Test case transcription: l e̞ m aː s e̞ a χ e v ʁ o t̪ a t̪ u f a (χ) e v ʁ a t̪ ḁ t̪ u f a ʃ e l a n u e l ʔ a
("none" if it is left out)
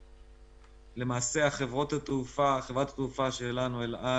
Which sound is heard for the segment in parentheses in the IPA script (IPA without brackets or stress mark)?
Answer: χ